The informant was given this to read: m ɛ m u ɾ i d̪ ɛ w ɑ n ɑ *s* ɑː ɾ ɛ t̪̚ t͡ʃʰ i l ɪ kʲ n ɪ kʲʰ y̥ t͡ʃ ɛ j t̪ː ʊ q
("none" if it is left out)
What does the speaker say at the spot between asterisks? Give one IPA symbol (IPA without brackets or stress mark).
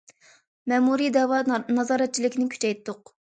z